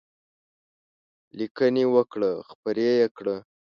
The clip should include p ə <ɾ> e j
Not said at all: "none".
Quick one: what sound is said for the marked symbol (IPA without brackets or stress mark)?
ɾ